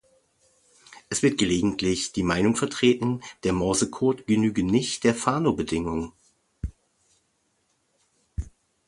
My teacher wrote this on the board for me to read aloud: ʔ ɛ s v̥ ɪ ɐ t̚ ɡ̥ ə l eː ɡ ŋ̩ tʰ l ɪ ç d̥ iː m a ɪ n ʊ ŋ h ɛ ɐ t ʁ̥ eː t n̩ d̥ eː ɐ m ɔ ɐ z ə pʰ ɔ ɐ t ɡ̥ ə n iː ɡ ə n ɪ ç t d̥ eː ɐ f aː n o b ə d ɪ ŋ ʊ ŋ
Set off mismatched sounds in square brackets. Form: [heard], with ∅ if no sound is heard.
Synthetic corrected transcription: ʔ ɛ s v̥ ɪ ɐ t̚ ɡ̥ ə l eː ɡ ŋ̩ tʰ l ɪ ç d̥ iː m a ɪ n ʊ ŋ [f] ɛ ɐ t ʁ̥ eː t n̩ d̥ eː ɐ m ɔ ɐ z ə [kʰ] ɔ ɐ t ɡ̥ ə n [yː] ɡ ə n ɪ ç t d̥ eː ɐ f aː n o b ə d ɪ ŋ ʊ ŋ

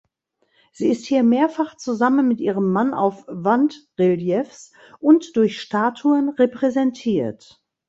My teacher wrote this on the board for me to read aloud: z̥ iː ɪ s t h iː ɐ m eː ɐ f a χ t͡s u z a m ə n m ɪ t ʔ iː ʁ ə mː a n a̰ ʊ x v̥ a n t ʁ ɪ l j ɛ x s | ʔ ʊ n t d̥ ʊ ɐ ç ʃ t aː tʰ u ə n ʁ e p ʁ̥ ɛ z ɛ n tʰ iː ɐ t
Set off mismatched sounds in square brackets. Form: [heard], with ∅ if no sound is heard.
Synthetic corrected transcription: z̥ iː ɪ s t h iː ɐ m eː ɐ f a χ t͡s u z a m ə n m ɪ t ʔ iː ʁ ə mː a n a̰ ʊ [f] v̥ a n t ʁ ɪ l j ɛ [f] s | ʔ ʊ n t d̥ ʊ ɐ ç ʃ t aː tʰ u ə n ʁ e p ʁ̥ ɛ z ɛ n tʰ iː ɐ t

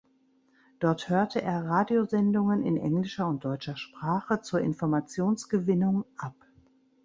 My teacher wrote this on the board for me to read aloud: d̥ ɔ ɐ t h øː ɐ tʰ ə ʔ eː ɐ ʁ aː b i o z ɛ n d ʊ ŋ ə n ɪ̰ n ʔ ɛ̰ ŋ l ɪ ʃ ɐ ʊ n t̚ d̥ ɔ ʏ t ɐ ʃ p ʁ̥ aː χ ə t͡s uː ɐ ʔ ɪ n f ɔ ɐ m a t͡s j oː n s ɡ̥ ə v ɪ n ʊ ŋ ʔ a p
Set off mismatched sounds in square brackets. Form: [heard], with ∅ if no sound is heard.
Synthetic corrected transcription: d̥ ɔ ɐ t h øː ɐ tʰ ə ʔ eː ɐ ʁ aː [d] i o z ɛ n d ʊ ŋ ə n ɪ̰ n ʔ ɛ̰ ŋ l ɪ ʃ ɐ ʊ n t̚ d̥ ɔ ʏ [t͡ʃ] ɐ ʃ p ʁ̥ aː χ ə t͡s uː ɐ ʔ ɪ n f ɔ ɐ m a t͡s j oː n s ɡ̥ ə v ɪ n ʊ ŋ ʔ a p

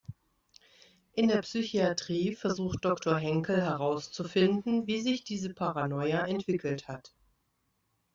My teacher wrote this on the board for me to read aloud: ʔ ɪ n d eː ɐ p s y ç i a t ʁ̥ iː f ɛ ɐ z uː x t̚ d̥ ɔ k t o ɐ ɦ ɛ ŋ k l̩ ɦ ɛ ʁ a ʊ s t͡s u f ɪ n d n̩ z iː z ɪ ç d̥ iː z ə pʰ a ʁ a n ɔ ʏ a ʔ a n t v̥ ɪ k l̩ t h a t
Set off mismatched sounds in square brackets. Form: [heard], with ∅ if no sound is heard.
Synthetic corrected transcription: ʔ ɪ n d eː ɐ p s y ç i a t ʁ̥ iː f ɛ ɐ z uː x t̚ d̥ ɔ k t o ɐ ɦ ɛ ŋ k l̩ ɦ ɛ ʁ a ʊ s t͡s u f ɪ n d n̩ [v] iː z ɪ ç d̥ iː z ə pʰ a ʁ a n ɔ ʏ a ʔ [ɛ] n t v̥ ɪ k l̩ t h a t

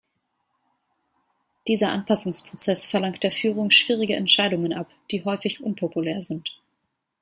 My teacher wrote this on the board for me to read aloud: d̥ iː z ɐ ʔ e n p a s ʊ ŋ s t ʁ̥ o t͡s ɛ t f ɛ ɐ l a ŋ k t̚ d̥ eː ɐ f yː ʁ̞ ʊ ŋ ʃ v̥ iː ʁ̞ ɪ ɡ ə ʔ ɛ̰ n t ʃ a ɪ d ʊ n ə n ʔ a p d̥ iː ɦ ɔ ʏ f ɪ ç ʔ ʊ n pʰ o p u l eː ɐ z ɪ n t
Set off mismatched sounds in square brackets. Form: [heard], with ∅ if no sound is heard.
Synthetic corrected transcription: d̥ iː z ɐ ʔ [a] n p a s ʊ ŋ s [p] ʁ̥ o t͡s ɛ [s] f ɛ ɐ l a ŋ k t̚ d̥ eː ɐ f yː ʁ̞ ʊ ŋ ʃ v̥ iː ʁ̞ ɪ ɡ ə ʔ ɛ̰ n t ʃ a ɪ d ʊ [ŋ] ə n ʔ a p d̥ iː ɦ ɔ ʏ f ɪ ç ʔ ʊ n pʰ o p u l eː ɐ z ɪ n t

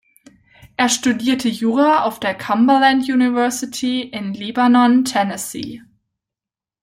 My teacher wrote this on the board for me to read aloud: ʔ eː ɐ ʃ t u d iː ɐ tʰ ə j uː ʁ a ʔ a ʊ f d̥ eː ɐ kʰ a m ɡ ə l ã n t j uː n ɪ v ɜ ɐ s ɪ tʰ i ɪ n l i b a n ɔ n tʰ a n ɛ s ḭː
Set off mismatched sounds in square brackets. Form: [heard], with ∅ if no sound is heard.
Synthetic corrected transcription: ʔ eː ɐ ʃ t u d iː ɐ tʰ ə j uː ʁ a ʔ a ʊ f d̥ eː ɐ kʰ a m [b] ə l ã n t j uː n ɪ v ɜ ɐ s ɪ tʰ i ɪ n l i b a n ɔ n tʰ [ɛ] n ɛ s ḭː

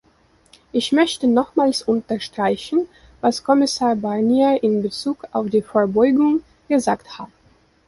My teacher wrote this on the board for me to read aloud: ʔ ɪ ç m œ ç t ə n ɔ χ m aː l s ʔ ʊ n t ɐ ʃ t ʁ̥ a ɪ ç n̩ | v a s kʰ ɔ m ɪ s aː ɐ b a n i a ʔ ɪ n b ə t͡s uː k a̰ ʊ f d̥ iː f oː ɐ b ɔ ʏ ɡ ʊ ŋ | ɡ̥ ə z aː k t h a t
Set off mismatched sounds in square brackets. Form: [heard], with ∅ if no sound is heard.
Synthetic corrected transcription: ʔ ɪ ç m œ ç t ə n ɔ χ m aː l s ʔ ʊ n t ɐ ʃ t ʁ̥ a ɪ ç n̩ | v a s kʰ ɔ m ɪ s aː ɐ b a n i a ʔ ɪ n b ə t͡s uː k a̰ ʊ f d̥ iː f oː ɐ b ɔ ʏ ɡ ʊ ŋ | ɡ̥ ə z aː k t h a t

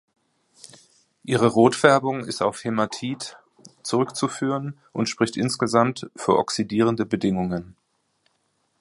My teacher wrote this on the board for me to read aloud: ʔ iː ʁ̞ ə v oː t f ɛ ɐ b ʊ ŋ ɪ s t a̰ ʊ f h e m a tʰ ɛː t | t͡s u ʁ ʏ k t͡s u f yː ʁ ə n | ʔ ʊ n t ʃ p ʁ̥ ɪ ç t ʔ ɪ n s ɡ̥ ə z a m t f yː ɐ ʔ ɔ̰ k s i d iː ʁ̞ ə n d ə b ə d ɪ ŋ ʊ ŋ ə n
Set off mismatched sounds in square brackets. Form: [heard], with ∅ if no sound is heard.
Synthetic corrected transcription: ʔ iː ʁ̞ ə [ʁ] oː t f ɛ ɐ b ʊ ŋ ɪ s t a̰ ʊ f h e m a tʰ [iː] t | t͡s u ʁ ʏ k t͡s u f yː ʁ ə n | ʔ ʊ n t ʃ p ʁ̥ ɪ ç t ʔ ɪ n s ɡ̥ ə z a m t f yː ɐ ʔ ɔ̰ k s i d iː ʁ̞ ə n d ə b ə d ɪ ŋ ʊ ŋ ə n

